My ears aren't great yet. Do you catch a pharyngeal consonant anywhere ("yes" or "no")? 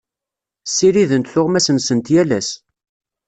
no